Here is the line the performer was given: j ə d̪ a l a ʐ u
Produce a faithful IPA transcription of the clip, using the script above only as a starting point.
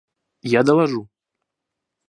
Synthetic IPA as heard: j a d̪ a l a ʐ u